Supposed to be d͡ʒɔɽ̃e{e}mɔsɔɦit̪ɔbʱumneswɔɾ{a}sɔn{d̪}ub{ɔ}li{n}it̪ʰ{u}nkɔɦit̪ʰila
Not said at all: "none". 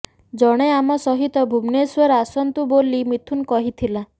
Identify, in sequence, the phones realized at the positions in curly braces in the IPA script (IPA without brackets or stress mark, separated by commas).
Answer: a, a, t̪, o, m, u